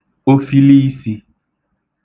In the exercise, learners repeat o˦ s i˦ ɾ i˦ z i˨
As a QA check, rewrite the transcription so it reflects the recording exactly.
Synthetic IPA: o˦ f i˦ l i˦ s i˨